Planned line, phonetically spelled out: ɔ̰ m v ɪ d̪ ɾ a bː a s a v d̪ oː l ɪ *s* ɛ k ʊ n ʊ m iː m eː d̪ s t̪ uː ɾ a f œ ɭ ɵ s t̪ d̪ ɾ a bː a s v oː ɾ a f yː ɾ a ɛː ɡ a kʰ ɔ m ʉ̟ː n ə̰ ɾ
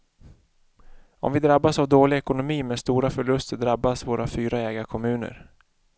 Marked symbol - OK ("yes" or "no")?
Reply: no